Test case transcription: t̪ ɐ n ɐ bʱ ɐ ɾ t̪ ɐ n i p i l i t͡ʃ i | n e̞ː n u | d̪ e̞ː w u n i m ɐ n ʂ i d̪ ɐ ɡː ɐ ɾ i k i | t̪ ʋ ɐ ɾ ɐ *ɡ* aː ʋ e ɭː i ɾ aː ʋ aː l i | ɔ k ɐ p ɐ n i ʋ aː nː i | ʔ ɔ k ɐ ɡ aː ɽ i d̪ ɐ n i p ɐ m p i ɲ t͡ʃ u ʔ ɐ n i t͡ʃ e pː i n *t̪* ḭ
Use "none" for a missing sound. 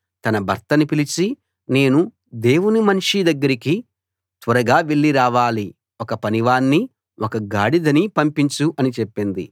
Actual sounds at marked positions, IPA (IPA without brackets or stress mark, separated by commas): ɡ, d̪